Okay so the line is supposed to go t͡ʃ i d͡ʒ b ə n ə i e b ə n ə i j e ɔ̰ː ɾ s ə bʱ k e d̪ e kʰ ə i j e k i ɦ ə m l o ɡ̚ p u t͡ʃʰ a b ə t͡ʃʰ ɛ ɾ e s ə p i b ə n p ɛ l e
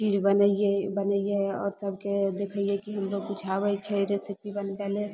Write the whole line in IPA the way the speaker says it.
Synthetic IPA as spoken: t͡ʃ i d͡ʒ b ə n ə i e b ə n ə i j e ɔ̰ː ɾ s ə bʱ k e d̪ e kʰ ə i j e k i ɦ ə m l o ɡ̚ p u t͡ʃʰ a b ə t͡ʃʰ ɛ ɾ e s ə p i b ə n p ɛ l e